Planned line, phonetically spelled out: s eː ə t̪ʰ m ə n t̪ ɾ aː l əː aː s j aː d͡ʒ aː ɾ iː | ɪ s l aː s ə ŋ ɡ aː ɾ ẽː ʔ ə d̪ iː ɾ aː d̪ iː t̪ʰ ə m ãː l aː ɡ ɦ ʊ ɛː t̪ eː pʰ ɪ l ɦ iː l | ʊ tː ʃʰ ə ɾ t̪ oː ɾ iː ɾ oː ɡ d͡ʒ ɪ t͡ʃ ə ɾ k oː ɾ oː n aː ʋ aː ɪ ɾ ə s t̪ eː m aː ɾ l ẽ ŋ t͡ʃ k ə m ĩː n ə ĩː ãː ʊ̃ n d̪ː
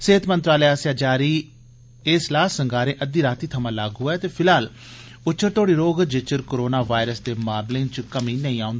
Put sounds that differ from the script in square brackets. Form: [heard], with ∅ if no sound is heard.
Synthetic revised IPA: s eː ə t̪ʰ m ə n t̪ ɾ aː l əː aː s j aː d͡ʒ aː ɾ iː | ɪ s l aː s ə ŋ ɡ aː ɾ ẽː ʔ ə d̪ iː ɾ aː [t̪] iː t̪ʰ ə m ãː l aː ɡ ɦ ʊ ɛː t̪ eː pʰ ɪ l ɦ [aː] l | ʊ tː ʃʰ ə ɾ t̪ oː [ɽ] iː ɾ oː ɡ d͡ʒ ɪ t͡ʃ ə ɾ k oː ɾ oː n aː ʋ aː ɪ ɾ ə s [d̪] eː m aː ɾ l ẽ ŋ t͡ʃ k ə m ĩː n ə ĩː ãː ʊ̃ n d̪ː